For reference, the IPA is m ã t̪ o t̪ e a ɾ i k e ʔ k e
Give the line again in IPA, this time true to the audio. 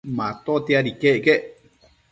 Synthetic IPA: m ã t̪ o t̪ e a ɾ i k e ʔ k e